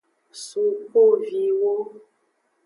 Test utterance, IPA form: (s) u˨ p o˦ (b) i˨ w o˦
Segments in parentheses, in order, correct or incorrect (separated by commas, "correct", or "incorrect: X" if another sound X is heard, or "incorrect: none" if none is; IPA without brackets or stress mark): correct, incorrect: v